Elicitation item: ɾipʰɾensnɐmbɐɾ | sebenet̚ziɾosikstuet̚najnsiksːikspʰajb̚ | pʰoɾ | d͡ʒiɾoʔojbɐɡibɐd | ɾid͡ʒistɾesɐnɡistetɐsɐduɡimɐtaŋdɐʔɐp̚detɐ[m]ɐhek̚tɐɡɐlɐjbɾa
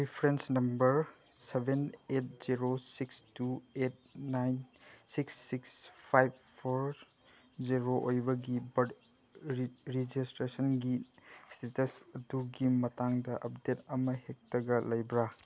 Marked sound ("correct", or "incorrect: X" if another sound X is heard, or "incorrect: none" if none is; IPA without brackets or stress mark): correct